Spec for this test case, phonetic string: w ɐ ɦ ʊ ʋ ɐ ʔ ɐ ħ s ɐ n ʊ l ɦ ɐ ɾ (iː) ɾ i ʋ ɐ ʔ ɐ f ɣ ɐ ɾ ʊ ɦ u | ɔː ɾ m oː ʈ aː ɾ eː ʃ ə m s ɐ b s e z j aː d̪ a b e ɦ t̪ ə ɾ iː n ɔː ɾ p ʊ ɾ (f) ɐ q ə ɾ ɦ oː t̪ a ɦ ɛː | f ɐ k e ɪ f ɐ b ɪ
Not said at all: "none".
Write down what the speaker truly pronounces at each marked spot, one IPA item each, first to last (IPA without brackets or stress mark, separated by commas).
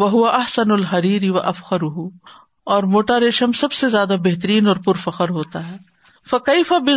iː, f